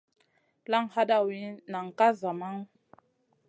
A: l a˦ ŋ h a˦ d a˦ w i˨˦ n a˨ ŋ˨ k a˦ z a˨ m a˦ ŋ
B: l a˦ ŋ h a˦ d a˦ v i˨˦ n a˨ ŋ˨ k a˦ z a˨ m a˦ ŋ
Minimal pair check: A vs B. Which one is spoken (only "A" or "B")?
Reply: A